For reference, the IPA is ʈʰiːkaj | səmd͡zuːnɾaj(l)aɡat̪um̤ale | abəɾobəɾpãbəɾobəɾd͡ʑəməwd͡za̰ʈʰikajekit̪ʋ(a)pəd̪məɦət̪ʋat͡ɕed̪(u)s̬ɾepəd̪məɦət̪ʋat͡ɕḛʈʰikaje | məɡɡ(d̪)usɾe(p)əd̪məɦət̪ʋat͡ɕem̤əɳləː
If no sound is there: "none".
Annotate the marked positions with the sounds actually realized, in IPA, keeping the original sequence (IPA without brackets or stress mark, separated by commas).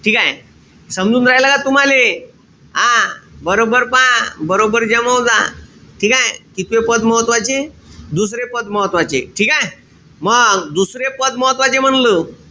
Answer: l, e, u, d̪, p